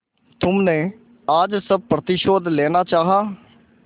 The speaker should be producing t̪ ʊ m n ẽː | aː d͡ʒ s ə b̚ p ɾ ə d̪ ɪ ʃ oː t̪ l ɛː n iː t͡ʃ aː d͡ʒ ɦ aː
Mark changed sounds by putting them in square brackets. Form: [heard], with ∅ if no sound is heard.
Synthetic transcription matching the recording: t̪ ʊ m n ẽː | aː d͡ʒ s ə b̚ p ɾ ə [t̪] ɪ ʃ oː [d̪] l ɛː n [aː] t͡ʃ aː [∅] ɦ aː